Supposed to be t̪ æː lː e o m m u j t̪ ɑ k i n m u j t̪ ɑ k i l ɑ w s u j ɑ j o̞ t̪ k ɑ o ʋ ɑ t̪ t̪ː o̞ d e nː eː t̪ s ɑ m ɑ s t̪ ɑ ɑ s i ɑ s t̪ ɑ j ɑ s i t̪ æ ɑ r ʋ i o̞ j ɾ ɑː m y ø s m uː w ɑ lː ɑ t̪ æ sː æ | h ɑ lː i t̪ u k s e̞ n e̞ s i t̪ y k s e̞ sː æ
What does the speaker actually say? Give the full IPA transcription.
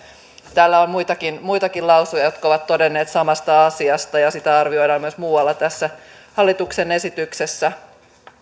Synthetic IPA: t̪ æː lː æ o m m u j t̪ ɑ k i n m u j t̪ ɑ k i l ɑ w s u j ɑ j o̞ t̪ k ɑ o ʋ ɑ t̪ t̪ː o̞ d e nː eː t̪ s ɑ m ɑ s t̪ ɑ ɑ s i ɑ s t̪ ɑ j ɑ s i t̪ æ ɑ r ʋ i o̞ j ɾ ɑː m y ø s m uː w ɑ lː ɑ t̪ æ sː æ | h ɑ lː i t̪ u k s e̞ n e̞ s i t̪ y k s e̞ sː æ